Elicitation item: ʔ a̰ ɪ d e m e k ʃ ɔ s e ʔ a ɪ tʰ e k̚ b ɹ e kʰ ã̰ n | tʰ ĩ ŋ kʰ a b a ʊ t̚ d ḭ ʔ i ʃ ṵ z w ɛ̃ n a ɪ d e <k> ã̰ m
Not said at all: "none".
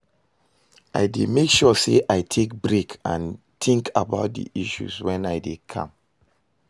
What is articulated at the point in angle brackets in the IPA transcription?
kʰ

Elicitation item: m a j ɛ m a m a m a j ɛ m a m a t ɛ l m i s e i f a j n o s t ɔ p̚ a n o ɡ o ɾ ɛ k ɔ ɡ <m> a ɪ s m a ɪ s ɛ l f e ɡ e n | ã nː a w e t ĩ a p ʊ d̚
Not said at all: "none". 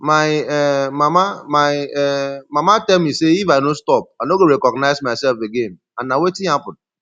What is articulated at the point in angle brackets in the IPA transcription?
n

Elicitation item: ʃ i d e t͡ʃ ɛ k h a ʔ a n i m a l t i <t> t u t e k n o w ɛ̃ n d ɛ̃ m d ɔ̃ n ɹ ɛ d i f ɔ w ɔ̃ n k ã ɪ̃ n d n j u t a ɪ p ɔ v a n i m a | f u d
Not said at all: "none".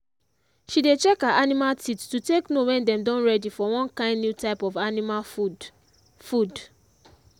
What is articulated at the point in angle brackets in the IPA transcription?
t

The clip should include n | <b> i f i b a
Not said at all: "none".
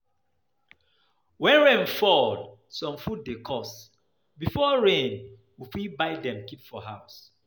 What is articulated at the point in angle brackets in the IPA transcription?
w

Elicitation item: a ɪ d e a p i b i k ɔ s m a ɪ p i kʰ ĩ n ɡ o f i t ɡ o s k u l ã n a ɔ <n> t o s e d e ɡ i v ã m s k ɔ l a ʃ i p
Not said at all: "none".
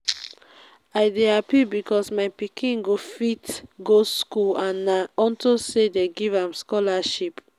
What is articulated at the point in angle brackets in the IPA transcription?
n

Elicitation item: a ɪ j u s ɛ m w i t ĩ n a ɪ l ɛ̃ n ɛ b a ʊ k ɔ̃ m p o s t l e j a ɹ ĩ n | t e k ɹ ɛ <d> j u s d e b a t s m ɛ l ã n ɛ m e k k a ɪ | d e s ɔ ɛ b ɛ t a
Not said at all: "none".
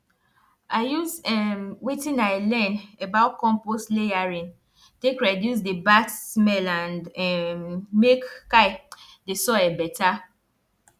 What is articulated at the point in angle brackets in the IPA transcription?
d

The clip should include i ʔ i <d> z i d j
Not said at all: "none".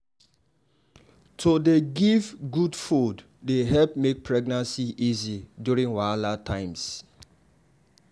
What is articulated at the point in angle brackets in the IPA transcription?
none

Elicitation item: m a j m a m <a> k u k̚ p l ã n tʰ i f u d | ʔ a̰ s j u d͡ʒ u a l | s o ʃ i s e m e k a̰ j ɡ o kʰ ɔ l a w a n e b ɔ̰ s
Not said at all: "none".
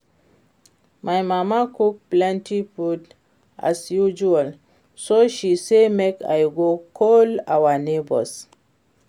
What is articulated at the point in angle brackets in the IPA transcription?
a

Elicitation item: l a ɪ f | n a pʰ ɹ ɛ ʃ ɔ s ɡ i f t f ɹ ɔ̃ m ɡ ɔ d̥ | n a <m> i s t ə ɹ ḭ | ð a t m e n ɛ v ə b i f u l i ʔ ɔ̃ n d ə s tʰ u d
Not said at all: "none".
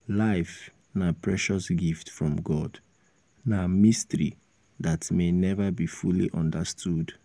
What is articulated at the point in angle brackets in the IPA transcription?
m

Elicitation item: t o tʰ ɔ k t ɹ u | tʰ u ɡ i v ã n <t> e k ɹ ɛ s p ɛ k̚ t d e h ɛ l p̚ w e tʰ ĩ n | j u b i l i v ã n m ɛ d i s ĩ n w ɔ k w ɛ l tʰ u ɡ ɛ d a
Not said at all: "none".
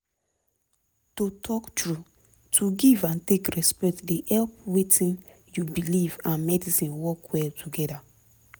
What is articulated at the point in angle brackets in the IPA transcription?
t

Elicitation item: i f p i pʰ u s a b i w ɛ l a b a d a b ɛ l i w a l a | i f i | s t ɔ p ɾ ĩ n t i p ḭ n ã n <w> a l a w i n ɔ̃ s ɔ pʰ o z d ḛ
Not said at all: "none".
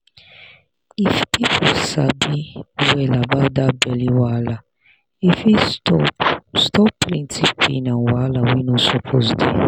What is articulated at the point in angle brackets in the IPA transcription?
w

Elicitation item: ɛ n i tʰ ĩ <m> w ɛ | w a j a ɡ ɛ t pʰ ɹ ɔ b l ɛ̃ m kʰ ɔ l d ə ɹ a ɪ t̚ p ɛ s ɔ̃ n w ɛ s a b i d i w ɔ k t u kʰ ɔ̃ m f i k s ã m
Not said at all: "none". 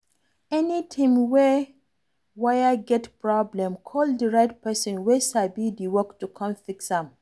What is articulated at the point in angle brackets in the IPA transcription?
m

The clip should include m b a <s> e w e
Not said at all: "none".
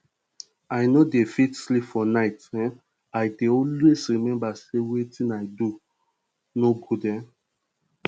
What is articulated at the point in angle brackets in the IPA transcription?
s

